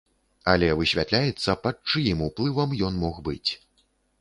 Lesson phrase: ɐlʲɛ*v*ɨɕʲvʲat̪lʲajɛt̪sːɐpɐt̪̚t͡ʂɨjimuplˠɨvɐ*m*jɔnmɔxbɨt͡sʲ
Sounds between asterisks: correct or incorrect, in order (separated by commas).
correct, correct